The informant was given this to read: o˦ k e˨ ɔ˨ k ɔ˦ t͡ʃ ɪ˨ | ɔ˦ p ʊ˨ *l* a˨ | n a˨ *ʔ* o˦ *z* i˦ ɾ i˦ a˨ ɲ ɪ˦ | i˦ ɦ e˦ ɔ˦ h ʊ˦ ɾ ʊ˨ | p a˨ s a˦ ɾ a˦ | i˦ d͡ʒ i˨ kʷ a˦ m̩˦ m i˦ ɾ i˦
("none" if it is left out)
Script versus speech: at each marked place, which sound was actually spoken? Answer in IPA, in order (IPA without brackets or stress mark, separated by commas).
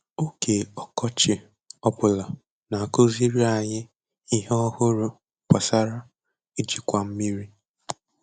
l, k, z